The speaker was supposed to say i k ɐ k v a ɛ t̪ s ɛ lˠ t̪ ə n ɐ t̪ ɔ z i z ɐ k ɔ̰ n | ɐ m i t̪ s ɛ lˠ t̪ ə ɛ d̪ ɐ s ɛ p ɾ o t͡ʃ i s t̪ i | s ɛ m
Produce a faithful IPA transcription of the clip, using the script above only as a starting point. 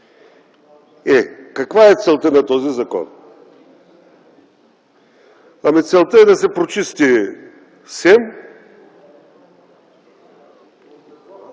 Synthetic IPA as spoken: ɛ k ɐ k v a ɛ t̪ s ɛ lˠ t̪ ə n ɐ t̪ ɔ z i z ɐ k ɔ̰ n | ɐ m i t̪ s ɛ lˠ t̪ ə ɛ d̪ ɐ s ɛ p ɾ o t͡ʃ i s t̪ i | s ɛ m